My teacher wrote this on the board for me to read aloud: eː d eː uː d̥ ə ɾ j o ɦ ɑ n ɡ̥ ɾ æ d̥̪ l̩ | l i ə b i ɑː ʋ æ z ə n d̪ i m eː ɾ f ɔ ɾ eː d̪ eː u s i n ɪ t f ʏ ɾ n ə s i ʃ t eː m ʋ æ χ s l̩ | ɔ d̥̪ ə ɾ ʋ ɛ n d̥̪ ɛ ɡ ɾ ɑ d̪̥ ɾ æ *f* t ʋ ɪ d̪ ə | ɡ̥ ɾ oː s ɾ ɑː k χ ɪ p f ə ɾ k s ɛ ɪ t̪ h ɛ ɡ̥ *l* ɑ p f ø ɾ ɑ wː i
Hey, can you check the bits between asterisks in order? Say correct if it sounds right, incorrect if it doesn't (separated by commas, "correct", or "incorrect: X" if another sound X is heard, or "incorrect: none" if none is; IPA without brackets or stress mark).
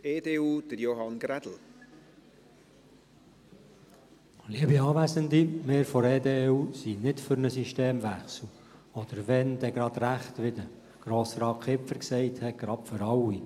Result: incorrect: χ, incorrect: ɾ